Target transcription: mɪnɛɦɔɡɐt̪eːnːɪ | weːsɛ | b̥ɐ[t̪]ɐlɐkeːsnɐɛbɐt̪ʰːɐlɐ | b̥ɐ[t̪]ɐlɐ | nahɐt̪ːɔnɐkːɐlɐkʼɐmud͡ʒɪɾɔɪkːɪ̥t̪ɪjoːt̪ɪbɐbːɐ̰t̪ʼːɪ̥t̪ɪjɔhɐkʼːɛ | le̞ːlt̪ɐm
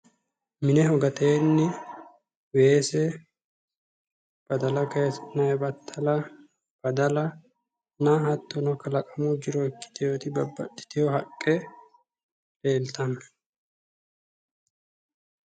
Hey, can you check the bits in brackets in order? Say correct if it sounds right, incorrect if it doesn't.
incorrect: d̪, incorrect: d̪

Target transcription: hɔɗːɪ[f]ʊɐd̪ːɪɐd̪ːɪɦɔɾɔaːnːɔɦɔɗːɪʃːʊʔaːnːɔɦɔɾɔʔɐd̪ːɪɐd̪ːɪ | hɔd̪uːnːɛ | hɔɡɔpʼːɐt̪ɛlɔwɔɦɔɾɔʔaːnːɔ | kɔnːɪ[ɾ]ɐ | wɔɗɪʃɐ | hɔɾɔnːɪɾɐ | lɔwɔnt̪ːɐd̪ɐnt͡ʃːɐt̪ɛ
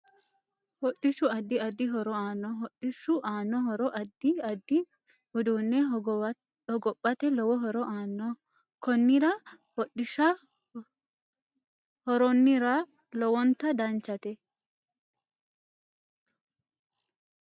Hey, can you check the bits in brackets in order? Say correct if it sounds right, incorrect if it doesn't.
incorrect: ʃ, correct

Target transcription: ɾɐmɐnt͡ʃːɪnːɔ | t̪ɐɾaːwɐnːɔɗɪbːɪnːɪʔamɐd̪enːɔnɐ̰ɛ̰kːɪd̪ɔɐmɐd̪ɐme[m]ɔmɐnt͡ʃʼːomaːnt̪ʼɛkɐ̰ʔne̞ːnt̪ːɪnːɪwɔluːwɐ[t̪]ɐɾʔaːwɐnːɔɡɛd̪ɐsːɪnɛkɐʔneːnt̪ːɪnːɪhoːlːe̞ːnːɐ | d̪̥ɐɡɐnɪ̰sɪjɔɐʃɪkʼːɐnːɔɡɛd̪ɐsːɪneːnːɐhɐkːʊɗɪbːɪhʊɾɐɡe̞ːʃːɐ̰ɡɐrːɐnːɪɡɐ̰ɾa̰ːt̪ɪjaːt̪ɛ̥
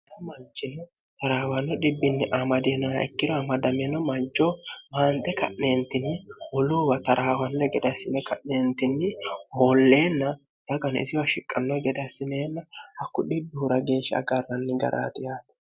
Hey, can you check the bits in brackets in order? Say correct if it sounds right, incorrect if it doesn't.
incorrect: n, correct

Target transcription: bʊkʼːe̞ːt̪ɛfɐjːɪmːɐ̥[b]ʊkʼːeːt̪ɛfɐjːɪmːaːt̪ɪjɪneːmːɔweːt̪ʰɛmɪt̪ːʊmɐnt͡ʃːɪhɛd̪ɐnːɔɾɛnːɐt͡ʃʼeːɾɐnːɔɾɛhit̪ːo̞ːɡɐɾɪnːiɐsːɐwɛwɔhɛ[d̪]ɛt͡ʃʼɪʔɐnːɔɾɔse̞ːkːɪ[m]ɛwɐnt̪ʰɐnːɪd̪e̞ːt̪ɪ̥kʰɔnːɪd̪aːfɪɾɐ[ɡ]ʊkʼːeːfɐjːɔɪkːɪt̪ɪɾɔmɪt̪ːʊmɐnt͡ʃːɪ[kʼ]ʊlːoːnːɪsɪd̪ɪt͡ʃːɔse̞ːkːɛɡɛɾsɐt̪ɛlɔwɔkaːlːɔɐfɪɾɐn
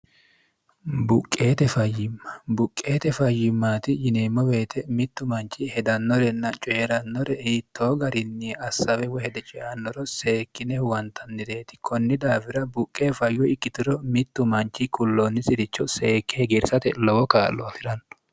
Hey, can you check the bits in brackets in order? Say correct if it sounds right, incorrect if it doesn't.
correct, correct, incorrect: n, incorrect: b, incorrect: k

